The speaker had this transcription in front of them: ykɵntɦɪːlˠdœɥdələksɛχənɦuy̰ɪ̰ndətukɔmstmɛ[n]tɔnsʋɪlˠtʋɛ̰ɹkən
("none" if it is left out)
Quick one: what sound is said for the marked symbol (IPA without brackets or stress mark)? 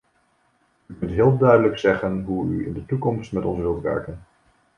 none